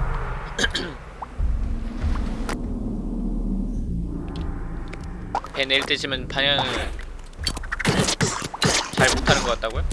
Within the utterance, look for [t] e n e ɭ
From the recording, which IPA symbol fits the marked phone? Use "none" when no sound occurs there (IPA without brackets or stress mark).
p